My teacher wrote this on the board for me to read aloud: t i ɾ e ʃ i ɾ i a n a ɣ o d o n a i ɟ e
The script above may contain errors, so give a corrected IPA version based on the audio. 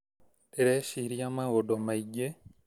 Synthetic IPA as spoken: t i ɾ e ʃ i ɾ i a m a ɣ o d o m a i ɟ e